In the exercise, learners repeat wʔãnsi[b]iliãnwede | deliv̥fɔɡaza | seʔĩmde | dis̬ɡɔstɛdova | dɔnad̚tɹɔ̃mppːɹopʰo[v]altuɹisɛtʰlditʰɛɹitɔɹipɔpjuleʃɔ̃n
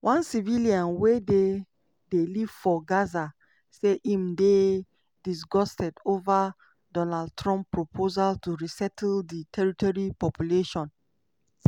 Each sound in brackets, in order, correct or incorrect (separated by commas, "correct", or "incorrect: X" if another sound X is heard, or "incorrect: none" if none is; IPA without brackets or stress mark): incorrect: v, incorrect: z